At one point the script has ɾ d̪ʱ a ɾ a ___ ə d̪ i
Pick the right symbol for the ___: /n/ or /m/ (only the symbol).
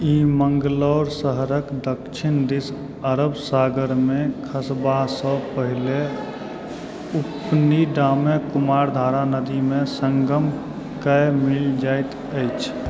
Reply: n